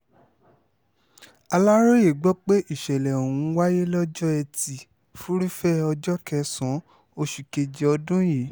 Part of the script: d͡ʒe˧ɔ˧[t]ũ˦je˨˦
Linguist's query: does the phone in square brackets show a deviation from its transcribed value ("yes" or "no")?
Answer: yes